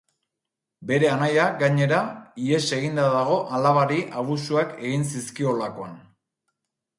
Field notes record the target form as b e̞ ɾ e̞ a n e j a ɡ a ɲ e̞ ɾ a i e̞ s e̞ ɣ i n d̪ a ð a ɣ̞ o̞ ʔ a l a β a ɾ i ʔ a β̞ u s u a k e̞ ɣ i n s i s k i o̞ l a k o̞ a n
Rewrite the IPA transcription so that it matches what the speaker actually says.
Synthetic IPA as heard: b e̞ ɾ e̞ a n a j a ɡ a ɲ e̞ ɾ a i e̞ s e̞ ɣ i n d̪ a ð a ɣ̞ o̞ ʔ a l a β a ɾ i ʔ a β̞ u s u a k e̞ ɣ i n s i s k i o̞ l a k o̞ a n

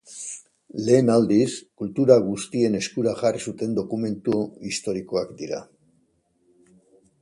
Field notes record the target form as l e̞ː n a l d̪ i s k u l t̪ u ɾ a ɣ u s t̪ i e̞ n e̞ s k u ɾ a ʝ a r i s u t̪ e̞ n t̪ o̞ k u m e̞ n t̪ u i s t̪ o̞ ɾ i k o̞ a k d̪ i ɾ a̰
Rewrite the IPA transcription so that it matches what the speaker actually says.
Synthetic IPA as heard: l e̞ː n a l d̪ i s k u l t̪ u ɾ a ɣ u s t̪ i e̞ n e̞ s k u ɾ a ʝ a r i s u t̪ e̞ n d̪ o̞ k u m e̞ n t̪ u i s t̪ o̞ ɾ i k o̞ a k d̪ i ɾ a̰

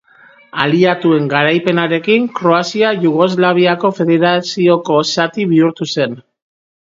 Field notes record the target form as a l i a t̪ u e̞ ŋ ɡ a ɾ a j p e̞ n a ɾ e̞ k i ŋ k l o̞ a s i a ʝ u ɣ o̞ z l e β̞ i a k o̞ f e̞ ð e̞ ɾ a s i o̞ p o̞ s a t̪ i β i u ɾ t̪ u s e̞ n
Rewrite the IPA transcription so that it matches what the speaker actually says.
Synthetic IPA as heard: a l i a t̪ u e̞ ŋ ɡ a ɾ a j p e̞ n a ɾ e̞ k i ŋ k ɾ o̞ a s i a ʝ u ɣ o̞ z l a β̞ i a k o̞ f e̞ ð e̞ ɾ a s i o̞ k o̞ s a t̪ i β i u ɾ t̪ u s e̞ n

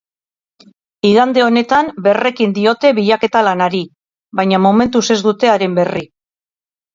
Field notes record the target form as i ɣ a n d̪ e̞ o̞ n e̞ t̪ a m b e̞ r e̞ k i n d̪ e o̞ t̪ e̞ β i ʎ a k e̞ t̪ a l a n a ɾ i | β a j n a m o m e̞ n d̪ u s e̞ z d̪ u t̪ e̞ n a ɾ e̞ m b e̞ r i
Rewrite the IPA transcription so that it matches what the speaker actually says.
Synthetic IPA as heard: i ɣ a n d̪ e̞ o̞ n e̞ t̪ a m b e̞ r e̞ k i n d̪ i o̞ t̪ e̞ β i ʎ a k e̞ t̪ a l a n a ɾ i | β a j ɲ a m o m e̞ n t̪ u s e̞ z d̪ u t̪ e̞ a ɾ e̞ m b e̞ r i

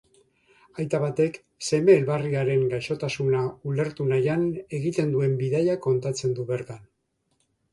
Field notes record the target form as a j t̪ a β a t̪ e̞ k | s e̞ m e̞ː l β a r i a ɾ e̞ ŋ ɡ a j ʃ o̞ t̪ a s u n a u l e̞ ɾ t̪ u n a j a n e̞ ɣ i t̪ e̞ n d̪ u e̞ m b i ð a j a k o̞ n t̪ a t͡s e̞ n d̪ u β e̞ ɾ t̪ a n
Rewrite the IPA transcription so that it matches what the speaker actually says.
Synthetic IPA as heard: a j t̪ a β a t̪ e̞ k | s e̞ m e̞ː l β a r i a ɾ e̞ ŋ ɡ a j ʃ o̞ t̪ a s u n a u l e̞ ɾ t̪ u n a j a n e̞ ɣ i t̪ e̞ n d̪ u e̞ m b i ð a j a k o̞ n t̪ a t͡s e̞ n d̪ u β e̞ ɾ t̪ a n

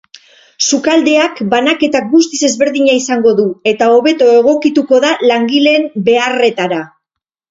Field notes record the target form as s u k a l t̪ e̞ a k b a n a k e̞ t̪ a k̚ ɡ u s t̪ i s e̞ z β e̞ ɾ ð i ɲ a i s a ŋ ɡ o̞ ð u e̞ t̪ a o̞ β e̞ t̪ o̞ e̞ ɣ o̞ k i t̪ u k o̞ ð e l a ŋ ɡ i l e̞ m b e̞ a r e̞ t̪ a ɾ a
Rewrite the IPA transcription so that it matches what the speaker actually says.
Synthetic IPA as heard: s u k a l d̪ e̞ a k b a n a k e̞ t̪ a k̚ ɡ u s t̪ i s e̞ z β e̞ ɾ ð i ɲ a i s a ŋ ɡ o̞ ð u e̞ t̪ a o̞ β e̞ t̪ o̞ e̞ ɣ o̞ k i t̪ u k o̞ ð a l a ŋ ɡ i l e̞ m b e̞ a r e̞ t̪ a ɾ a

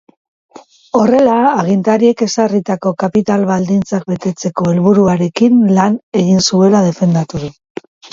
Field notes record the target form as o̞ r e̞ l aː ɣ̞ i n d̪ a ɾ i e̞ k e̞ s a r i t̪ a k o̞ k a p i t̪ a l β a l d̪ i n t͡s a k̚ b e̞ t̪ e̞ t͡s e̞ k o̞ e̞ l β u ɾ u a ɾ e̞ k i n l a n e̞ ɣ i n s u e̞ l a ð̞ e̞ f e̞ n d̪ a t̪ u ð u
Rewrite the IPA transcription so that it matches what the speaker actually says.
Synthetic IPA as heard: o̞ r e̞ l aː ɣ̞ i n t̪ a ɾ i e̞ k e̞ s a r i t̪ a k o̞ k a p i t̪ a l β a l d̪ i n t͡s a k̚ b e̞ t̪ e̞ t͡s e̞ k o̞ e̞ l β u ɾ u a ɾ e̞ k i n l a n e̞ ɣ i n s u e̞ l a ð̞ e̞ f e̞ n d̪ a t̪ u ð u

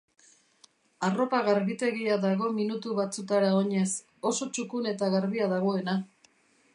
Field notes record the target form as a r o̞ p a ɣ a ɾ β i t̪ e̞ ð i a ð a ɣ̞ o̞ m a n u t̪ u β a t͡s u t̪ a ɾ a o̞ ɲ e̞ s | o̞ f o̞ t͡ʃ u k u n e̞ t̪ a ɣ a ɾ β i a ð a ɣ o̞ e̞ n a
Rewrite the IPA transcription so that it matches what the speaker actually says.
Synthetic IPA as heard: a r o̞ p a ɣ a ɾ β i t̪ e̞ ɣ i a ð a ɣ̞ o̞ m i n u t̪ u β a t͡s u t̪ a ɾ a o̞ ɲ e̞ s | o̞ s o̞ t͡ʃ u k u n e̞ t̪ a ɣ a ɾ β i a ð a ɣ o̞ e̞ n a

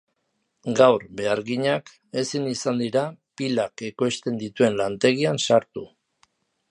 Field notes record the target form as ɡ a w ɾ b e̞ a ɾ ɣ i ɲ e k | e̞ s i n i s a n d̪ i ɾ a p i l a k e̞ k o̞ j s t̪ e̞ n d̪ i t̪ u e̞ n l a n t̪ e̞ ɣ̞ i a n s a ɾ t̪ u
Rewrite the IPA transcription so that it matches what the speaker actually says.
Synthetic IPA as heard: ɡ a w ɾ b e̞ a ɾ ɣ i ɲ a k | e̞ s i n i s a n d̪ i ɾ a p i l a k e̞ k o̞ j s t̪ e̞ n d̪ i t̪ u e̞ n l a n t̪ e̞ ɣ̞ i a n s a ɾ t̪ u

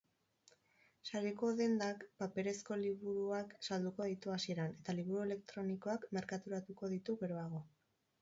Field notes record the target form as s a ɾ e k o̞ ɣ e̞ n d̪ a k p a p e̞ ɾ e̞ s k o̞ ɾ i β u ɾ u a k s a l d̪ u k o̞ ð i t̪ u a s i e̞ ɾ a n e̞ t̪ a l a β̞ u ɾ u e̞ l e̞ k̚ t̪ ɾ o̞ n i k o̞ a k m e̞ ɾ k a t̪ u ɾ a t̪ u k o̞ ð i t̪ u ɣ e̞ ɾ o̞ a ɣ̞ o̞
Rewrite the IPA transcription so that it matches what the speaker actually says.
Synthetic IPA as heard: s a ɾ e k o̞ ð e̞ n d̪ a k p a p e̞ ɾ e̞ s k o̞ l i β u ɾ u a k s a l d̪ u k o̞ ð i t̪ u a s i e̞ ɾ a n e̞ t̪ a l i β̞ u ɾ u e̞ l e̞ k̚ t̪ ɾ o̞ n i k o̞ a k m e̞ ɾ k a t̪ u ɾ a t̪ u k o̞ ð i t̪ u ɣ e̞ ɾ o̞ a ɣ̞ o̞

